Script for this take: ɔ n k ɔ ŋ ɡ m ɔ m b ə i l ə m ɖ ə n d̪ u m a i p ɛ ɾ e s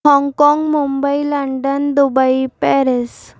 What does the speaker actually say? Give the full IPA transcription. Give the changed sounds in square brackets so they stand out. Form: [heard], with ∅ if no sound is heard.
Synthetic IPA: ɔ [ŋ] k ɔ ŋ ɡ m [u] m b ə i l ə [ɳ] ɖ ə n d̪ u [b] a i p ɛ ɾ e s